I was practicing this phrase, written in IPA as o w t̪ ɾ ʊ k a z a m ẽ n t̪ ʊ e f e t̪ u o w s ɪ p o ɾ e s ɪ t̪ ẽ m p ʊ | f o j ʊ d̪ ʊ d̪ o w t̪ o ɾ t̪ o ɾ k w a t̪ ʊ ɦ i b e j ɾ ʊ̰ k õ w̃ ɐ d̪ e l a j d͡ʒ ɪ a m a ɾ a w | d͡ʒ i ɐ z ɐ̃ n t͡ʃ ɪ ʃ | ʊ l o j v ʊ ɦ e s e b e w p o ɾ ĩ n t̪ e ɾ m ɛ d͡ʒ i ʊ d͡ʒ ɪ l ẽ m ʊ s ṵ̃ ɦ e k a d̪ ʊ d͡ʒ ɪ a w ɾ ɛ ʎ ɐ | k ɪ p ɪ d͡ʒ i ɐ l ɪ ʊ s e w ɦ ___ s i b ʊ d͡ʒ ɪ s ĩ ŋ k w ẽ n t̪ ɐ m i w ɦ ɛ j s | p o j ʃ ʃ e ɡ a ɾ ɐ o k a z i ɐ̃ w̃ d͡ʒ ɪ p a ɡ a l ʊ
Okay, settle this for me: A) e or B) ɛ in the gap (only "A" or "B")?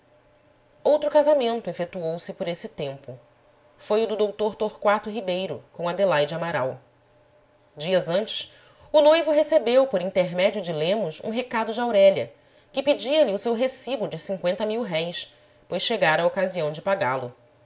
A